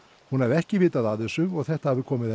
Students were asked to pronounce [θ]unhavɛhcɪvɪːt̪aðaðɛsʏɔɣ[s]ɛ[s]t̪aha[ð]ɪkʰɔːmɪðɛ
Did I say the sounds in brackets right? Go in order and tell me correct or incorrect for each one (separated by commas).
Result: incorrect, incorrect, incorrect, incorrect